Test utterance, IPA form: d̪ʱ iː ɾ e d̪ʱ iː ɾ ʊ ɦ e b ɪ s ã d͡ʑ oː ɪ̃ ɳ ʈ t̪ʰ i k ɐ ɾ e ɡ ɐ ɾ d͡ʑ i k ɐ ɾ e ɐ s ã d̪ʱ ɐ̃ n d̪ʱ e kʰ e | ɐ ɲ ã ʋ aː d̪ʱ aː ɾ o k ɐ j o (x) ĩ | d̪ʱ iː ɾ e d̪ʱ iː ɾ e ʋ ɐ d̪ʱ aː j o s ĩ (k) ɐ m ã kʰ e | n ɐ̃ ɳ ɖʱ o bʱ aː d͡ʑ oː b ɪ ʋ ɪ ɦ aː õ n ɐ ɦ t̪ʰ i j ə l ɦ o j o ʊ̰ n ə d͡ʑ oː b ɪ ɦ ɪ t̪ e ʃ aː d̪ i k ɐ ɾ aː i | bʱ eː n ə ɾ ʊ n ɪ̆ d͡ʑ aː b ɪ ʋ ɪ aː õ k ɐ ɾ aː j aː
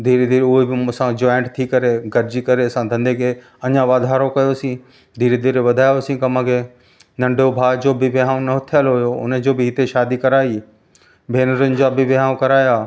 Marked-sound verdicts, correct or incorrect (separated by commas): incorrect, correct